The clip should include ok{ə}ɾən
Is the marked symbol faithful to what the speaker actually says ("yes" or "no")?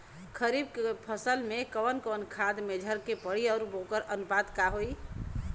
yes